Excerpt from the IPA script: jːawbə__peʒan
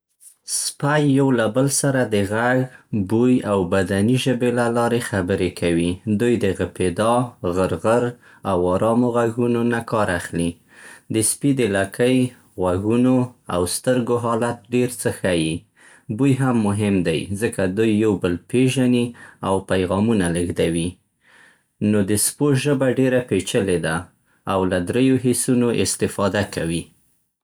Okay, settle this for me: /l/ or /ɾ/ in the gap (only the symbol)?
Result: l